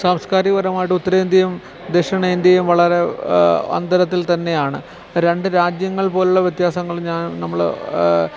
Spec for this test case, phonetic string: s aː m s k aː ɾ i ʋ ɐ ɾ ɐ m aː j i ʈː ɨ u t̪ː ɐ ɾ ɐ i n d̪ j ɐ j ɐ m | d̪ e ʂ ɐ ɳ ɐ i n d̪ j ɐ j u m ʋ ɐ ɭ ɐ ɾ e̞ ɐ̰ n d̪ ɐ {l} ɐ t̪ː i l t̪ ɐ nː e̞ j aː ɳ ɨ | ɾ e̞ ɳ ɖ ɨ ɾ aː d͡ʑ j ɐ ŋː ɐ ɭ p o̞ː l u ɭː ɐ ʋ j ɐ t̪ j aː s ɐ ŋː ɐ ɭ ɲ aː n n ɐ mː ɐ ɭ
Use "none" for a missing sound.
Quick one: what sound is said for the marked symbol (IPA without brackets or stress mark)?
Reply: ɾ